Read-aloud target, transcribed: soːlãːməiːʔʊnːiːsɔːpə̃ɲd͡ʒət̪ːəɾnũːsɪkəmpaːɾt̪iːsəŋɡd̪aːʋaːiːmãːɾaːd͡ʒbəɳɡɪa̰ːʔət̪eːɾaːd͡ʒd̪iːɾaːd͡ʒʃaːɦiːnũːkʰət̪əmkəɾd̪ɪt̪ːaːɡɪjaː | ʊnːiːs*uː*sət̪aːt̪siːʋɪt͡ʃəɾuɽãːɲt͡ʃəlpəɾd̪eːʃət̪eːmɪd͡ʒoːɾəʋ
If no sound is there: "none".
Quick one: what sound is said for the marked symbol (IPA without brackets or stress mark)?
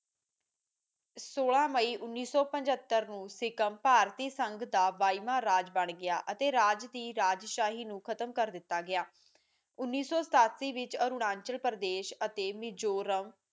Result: ɔː